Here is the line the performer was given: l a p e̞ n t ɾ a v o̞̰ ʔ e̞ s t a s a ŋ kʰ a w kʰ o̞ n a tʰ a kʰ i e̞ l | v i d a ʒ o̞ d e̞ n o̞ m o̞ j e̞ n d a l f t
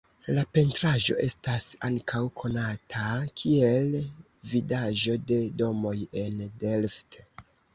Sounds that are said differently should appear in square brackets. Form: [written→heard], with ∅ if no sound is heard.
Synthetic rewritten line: l a p e̞ n t ɾ a [v→ʒ] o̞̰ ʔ e̞ s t a s a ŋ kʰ a w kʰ o̞ n a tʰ a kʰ i e̞ l | v i d a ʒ o̞ d e̞ [n→d] o̞ m o̞ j e̞ n d [a→e] l f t